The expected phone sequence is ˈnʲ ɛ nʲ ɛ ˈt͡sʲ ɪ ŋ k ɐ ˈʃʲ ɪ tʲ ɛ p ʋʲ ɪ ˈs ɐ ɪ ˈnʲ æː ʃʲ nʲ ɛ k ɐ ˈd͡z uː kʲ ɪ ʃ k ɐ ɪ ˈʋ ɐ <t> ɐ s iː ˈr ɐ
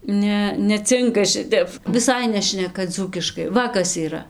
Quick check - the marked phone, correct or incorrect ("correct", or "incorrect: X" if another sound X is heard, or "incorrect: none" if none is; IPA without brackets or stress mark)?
incorrect: k